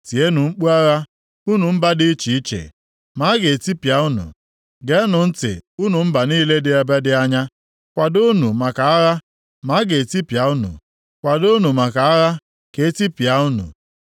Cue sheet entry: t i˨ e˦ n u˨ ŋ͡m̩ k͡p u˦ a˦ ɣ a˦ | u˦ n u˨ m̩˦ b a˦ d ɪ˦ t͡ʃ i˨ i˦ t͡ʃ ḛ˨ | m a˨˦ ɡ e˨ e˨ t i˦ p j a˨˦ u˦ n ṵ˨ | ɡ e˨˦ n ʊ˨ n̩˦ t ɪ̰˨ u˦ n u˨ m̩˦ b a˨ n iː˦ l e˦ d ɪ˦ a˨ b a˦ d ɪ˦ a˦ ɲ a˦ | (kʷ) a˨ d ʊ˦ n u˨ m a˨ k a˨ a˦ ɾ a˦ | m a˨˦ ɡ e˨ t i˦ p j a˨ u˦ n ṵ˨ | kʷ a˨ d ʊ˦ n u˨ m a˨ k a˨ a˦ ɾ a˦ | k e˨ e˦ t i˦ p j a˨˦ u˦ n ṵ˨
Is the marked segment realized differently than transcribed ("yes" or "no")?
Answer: no